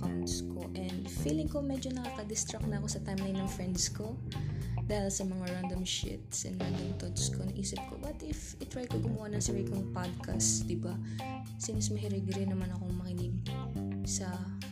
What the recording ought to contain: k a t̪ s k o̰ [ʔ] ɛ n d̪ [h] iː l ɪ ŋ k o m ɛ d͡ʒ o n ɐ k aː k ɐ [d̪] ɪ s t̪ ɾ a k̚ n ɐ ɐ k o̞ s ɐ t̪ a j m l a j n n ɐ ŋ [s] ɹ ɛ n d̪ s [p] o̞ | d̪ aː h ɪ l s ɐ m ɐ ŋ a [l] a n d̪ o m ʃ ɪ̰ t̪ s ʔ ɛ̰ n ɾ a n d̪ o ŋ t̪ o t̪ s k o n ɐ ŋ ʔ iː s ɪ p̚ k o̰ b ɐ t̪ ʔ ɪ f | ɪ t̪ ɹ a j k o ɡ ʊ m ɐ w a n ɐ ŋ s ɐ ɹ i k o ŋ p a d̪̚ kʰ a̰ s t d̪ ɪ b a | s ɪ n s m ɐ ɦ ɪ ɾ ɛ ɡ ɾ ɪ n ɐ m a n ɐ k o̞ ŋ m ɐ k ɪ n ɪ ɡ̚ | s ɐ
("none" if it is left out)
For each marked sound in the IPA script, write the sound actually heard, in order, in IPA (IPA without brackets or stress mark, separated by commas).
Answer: ʔ, f, d̪, f, k, ɹ